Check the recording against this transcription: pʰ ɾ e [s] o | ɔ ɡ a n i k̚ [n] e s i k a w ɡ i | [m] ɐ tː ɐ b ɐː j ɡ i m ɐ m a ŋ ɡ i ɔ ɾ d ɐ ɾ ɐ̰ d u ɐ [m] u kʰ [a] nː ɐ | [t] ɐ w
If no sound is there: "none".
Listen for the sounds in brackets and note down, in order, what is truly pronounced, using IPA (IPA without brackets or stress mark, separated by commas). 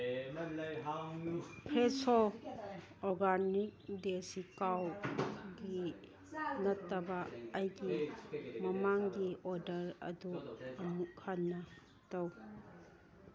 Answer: s, d, n, m, a, t